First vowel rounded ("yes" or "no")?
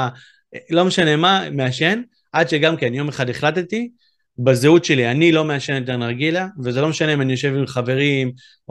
yes